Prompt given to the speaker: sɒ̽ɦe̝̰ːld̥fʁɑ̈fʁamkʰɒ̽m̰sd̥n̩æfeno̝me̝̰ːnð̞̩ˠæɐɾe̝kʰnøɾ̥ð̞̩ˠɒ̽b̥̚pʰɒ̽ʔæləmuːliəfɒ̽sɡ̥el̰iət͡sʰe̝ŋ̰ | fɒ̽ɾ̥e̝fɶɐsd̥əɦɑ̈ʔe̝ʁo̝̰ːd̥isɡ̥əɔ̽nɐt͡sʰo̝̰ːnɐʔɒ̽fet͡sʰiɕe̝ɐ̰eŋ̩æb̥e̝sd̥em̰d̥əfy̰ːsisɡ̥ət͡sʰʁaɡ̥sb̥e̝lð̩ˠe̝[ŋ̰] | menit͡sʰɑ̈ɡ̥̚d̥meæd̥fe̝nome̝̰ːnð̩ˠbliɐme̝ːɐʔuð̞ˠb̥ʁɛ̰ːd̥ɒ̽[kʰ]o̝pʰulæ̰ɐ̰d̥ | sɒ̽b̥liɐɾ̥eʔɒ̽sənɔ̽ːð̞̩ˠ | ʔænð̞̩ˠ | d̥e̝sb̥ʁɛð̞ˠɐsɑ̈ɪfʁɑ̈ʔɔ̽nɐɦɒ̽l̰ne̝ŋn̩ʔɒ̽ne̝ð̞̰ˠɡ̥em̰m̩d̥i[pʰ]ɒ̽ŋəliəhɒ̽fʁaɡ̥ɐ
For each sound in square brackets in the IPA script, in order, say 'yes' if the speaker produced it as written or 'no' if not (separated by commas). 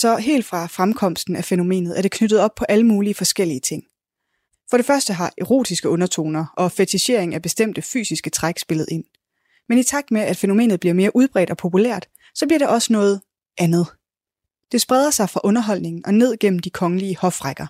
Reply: no, no, no